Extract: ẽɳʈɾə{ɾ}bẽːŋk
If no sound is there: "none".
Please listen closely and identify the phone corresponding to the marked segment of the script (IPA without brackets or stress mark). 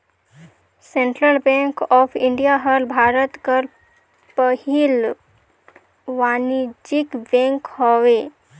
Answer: l